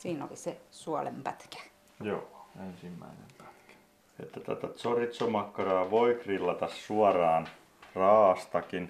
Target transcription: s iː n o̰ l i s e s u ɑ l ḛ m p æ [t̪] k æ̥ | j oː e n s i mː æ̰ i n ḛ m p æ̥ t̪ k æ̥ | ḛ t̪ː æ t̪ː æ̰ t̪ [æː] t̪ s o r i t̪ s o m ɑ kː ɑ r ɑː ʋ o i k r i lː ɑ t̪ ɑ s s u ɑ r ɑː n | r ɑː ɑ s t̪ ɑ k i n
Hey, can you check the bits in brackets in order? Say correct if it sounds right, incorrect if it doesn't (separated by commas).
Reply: correct, incorrect